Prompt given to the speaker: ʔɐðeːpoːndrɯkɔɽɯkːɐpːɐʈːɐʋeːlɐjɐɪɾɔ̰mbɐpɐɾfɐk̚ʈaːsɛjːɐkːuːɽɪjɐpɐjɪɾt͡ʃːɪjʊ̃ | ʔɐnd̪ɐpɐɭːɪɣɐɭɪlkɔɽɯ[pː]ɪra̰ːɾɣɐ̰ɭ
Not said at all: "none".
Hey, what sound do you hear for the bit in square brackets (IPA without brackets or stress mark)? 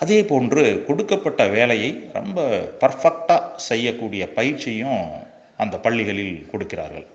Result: kː